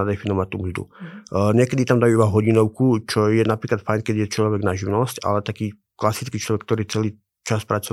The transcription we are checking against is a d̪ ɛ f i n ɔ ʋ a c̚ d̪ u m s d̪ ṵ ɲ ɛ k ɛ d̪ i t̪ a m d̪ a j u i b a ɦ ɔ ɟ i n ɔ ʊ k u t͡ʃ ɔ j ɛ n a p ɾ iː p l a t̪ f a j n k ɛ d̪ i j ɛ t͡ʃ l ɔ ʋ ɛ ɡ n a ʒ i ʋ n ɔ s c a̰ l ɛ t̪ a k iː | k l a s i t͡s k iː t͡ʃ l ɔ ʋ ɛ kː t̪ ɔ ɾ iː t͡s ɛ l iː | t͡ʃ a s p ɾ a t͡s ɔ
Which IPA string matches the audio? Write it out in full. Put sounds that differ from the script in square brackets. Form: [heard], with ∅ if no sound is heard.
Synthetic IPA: a d̪ ɛ f i n ɔ ʋ a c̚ [t̪] u m [z] d̪ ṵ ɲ ɛ k ɛ d̪ i t̪ a m d̪ a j u i b a ɦ ɔ ɟ i n ɔ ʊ k u t͡ʃ ɔ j ɛ n a p ɾ iː [k] l a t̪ f a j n k ɛ d̪ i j ɛ t͡ʃ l ɔ ʋ ɛ ɡ n a ʒ i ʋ n ɔ s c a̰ l ɛ t̪ a k iː | k l a s i t͡s k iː t͡ʃ l ɔ ʋ ɛ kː t̪ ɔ ɾ iː t͡s ɛ l iː | t͡ʃ a s p ɾ a t͡s ɔ